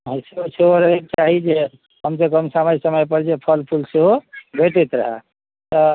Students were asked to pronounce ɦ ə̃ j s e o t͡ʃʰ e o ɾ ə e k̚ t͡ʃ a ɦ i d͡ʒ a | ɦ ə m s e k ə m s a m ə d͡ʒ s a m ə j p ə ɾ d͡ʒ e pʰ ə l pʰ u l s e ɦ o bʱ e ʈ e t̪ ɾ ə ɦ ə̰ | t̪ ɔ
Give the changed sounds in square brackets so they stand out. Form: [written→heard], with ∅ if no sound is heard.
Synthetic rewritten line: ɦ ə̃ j s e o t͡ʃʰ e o ɾ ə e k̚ t͡ʃ a ɦ i d͡ʒ [a→e] | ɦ ə m s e k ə m s a m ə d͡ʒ s [a→ə] m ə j p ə ɾ d͡ʒ e pʰ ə l pʰ u l s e ɦ o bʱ e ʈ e t̪ ɾ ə ɦ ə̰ | t̪ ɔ